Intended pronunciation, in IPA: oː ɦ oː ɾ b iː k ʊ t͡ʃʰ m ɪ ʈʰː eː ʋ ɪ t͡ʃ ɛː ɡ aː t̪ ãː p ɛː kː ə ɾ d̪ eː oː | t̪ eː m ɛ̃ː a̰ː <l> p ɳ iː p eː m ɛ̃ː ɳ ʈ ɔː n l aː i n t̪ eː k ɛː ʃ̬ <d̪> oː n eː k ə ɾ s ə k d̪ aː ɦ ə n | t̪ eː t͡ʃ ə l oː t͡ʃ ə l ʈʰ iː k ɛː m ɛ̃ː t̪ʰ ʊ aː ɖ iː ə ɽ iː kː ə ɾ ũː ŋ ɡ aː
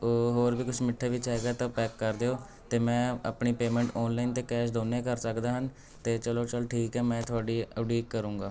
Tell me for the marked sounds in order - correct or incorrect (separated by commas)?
incorrect, correct